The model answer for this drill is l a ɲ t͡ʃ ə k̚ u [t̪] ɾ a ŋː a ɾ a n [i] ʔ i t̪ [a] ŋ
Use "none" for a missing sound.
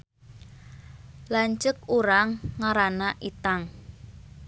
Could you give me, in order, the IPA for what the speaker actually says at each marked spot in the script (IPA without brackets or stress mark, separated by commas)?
none, a, a